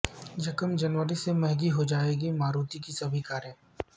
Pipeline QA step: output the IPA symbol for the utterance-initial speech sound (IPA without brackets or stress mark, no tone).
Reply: d͡ʒ